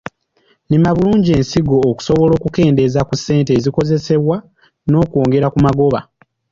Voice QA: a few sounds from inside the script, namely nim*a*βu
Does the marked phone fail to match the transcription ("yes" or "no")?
no